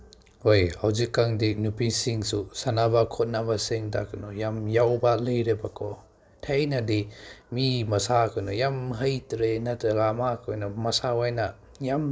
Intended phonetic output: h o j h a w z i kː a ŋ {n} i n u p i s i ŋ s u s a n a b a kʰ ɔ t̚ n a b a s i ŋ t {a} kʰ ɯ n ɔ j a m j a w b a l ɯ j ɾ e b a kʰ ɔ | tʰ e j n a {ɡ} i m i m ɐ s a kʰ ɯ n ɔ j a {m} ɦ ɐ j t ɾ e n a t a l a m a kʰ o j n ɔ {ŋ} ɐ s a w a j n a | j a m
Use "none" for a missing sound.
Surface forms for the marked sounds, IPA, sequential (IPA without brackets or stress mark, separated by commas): d, a, d, m, m